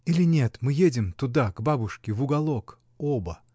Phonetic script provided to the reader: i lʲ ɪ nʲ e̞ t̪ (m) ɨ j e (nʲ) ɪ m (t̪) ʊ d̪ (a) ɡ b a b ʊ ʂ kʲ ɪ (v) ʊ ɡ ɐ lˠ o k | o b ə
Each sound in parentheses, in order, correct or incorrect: correct, incorrect: dʲ, correct, correct, correct

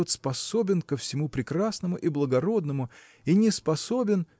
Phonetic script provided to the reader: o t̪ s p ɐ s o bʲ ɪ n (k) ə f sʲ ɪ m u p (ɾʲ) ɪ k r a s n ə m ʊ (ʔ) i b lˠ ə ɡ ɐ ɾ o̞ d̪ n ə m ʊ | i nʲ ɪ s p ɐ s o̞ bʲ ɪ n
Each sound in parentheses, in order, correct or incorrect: correct, correct, correct

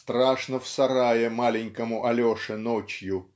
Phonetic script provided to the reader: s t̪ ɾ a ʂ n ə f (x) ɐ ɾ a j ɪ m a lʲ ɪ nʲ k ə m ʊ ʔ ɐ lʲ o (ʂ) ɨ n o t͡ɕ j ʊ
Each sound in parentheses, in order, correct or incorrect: incorrect: s, correct

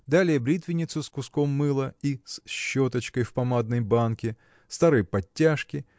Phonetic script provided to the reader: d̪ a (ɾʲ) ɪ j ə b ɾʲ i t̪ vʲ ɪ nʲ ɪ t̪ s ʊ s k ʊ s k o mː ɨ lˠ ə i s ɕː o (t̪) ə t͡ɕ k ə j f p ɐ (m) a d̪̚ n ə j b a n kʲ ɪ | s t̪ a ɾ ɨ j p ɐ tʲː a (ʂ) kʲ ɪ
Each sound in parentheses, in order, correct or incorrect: incorrect: lʲ, correct, correct, correct

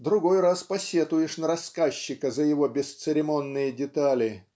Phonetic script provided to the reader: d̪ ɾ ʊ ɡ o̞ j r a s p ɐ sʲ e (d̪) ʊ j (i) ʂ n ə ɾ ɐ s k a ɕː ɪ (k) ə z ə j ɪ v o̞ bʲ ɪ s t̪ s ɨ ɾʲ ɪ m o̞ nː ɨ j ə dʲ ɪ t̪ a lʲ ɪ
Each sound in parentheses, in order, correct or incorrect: incorrect: t̪, incorrect: ɪ, correct

